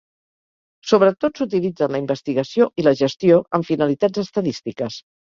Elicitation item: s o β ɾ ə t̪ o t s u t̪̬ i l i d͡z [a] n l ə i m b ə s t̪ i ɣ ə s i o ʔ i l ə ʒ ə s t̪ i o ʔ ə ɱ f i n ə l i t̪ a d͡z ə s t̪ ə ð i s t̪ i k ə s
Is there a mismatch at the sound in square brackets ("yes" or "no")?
yes